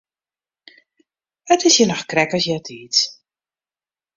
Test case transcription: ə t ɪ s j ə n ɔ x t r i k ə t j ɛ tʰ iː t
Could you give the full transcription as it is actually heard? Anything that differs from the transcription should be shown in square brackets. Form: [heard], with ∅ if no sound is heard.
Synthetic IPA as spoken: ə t ɪ s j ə n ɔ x [k] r [ɛ] k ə [s] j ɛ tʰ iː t